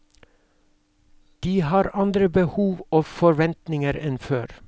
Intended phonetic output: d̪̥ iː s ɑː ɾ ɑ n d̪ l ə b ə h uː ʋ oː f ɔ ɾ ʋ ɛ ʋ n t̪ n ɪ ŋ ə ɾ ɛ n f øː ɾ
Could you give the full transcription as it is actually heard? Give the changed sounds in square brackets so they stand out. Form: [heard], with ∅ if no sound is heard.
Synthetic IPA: d̪̥ iː [h] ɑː ɾ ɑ n d̪ [ɾ] ə b ə h uː ʋ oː f ɔ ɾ ʋ ɛ [∅] n t̪ n ɪ ŋ ə ɾ ɛ n f øː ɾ